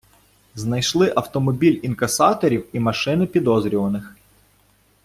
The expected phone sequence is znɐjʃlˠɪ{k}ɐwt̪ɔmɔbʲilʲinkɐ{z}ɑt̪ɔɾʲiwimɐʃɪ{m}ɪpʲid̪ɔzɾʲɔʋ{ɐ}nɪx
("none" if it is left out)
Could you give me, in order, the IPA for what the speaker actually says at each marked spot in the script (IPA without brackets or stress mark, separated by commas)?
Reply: ʔ, s, n, ɐ